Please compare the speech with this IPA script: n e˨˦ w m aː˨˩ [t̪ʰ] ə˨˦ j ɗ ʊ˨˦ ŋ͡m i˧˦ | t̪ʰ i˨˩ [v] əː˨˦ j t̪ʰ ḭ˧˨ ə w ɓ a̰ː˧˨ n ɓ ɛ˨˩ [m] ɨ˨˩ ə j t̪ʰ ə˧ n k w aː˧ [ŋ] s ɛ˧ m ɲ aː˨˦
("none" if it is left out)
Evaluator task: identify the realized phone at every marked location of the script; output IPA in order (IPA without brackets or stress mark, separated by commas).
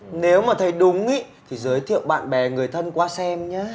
t̪ʰ, z, ŋ, none